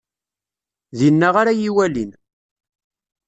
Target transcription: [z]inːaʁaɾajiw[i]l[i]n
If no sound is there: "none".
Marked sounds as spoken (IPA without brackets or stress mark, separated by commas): ð, æ, i